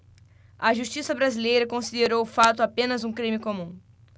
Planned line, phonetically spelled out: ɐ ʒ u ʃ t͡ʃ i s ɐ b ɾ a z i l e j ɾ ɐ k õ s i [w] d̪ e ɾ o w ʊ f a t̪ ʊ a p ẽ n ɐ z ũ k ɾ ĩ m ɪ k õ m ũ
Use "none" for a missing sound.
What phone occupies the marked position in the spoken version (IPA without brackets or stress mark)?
none